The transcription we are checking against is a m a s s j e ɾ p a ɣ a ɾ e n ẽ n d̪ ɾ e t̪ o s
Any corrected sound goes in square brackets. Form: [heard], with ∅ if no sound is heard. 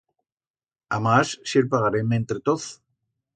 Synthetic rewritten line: a m a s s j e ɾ p a ɣ a ɾ e [m] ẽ n [t̪] ɾ e t̪ o [θ]